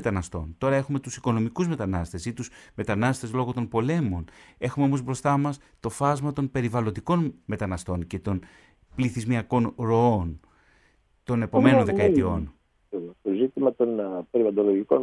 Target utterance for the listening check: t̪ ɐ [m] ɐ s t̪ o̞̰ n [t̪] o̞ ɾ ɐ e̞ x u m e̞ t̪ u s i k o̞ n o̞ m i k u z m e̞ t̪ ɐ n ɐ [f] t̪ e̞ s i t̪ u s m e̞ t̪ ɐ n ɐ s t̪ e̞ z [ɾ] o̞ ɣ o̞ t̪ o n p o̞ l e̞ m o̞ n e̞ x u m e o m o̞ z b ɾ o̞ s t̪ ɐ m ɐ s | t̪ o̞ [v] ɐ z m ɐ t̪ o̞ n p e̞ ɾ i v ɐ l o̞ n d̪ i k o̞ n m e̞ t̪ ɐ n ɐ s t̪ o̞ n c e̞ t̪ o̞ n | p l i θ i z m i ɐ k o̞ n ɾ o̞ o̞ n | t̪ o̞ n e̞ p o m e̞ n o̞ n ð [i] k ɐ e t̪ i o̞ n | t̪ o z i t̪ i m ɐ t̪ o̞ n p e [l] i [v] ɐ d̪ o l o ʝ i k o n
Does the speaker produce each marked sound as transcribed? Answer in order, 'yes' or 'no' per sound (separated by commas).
no, yes, no, no, no, no, no, yes